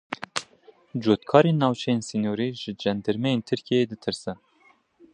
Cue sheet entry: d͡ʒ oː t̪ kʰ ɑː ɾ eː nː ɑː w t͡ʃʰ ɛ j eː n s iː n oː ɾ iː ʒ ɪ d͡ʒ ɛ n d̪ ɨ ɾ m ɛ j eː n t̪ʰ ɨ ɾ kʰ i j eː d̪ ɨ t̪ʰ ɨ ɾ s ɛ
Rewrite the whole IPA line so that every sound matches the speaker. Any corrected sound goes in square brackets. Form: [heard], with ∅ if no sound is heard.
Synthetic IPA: d͡ʒ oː t̪ kʰ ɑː ɾ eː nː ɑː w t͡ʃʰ ɛ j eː n s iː n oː ɾ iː ʒ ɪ d͡ʒ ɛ n d̪ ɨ ɾ m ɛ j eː n t̪ʰ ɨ ɾ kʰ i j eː d̪ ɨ t̪ʰ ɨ ɾ s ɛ

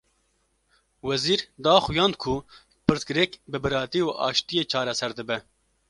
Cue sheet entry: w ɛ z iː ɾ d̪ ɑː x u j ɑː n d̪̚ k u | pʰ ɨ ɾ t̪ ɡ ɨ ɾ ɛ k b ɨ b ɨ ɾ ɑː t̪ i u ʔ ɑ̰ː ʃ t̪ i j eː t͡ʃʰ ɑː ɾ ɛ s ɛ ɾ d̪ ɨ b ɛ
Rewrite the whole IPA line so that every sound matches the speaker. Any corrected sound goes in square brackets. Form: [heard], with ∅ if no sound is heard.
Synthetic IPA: w ɛ z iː ɾ d̪ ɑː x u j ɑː n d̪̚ [kʰ] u | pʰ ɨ ɾ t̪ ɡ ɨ ɾ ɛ k b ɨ b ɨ ɾ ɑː t̪ i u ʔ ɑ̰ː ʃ t̪ i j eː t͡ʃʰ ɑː ɾ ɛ s ɛ ɾ d̪ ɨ b ɛ

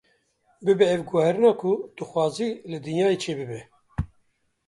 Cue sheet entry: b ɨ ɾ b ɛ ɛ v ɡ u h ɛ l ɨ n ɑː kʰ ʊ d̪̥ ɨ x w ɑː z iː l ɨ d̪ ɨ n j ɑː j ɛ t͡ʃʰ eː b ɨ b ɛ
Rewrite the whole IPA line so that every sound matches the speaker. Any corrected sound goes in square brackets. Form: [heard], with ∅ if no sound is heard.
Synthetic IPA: b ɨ [∅] b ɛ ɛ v ɡ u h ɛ [ɾ] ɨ n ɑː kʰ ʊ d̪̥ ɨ x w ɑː z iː l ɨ d̪ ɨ n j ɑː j [e] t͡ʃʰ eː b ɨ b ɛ

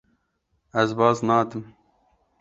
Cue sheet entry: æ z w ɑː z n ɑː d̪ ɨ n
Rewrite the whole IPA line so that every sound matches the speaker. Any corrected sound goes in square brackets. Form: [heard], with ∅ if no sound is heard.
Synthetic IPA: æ z [b] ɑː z n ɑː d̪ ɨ [m]

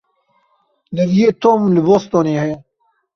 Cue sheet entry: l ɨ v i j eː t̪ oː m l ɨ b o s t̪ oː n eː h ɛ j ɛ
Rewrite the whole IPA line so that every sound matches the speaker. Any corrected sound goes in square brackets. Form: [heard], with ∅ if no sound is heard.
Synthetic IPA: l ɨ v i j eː t̪ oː m l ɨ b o s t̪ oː n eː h ɛ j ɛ

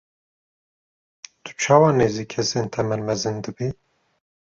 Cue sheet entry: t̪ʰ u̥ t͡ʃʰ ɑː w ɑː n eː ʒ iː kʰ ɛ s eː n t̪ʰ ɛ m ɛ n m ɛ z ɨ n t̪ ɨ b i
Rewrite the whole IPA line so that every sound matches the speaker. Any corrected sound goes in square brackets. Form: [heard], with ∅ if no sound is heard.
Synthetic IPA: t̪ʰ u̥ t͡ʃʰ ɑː w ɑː n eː [z] iː kʰ ɛ s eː n t̪ʰ ɛ m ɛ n m ɛ z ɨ n [d̪] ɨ b i

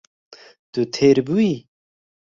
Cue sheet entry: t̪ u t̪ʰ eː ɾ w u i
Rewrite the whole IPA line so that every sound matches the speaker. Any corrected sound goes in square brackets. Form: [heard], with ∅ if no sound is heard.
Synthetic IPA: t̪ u t̪ʰ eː ɾ [b] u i

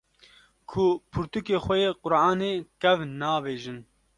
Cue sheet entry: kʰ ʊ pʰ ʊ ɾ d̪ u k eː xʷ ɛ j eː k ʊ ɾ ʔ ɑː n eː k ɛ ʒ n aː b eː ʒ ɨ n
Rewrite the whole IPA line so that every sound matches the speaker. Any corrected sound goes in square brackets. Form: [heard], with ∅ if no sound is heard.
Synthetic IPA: kʰ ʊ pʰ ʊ ɾ [t̪] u k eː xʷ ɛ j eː [q] ʊ ɾ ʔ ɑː n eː k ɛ [v] n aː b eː ʒ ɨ n

